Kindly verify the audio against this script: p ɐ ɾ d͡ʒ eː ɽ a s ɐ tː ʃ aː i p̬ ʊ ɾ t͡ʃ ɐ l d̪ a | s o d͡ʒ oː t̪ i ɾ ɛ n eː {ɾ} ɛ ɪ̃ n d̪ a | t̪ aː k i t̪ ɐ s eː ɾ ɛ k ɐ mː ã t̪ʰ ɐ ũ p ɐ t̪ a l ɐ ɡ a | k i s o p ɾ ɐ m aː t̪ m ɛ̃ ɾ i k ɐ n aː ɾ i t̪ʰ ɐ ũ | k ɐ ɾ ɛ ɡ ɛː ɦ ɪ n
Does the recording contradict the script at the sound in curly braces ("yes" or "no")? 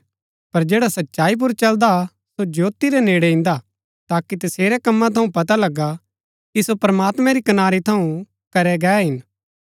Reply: yes